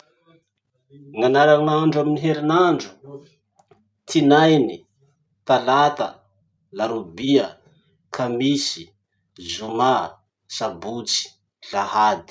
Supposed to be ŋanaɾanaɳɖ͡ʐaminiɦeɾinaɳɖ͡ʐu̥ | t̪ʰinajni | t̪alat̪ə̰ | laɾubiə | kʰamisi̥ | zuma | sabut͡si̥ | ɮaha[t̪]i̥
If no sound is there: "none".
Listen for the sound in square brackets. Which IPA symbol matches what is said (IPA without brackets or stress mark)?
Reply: d̪